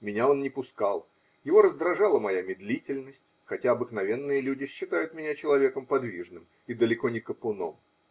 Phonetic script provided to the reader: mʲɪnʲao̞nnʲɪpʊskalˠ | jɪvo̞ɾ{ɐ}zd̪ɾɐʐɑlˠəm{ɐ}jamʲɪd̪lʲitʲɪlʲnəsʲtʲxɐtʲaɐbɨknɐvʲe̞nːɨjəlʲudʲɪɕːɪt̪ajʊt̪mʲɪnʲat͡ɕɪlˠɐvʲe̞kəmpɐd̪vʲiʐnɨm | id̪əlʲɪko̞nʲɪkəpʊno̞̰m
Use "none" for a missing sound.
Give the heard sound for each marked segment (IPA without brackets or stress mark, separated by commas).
ə, ɐ